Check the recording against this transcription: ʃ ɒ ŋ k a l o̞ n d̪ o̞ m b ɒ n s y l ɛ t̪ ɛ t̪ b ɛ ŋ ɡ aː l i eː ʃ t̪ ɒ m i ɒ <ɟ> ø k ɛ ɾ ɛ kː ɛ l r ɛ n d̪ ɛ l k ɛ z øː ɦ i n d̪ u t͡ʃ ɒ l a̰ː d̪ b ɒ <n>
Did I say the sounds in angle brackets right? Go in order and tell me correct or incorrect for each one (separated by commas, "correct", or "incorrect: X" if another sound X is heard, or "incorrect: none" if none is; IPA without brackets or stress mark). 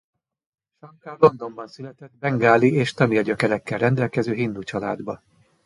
correct, incorrect: none